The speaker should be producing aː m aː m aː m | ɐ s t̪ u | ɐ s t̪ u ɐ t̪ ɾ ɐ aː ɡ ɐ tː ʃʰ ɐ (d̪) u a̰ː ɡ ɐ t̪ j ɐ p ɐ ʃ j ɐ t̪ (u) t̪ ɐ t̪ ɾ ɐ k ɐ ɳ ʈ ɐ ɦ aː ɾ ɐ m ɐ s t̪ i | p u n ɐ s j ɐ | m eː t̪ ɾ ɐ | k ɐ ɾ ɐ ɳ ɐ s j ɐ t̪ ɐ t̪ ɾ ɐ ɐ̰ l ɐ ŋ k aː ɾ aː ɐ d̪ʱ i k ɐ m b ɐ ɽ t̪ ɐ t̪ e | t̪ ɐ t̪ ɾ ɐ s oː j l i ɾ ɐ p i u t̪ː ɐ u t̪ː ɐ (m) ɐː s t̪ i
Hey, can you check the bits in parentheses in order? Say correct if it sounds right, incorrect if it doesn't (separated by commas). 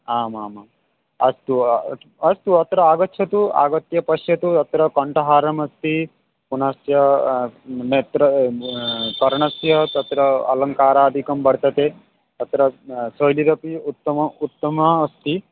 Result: incorrect, correct, correct